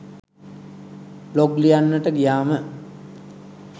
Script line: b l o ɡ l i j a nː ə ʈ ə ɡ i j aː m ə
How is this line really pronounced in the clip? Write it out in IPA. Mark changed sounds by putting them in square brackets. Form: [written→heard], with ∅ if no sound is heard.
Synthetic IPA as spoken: b l o ɡ l i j a nː ə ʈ ə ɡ i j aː m ə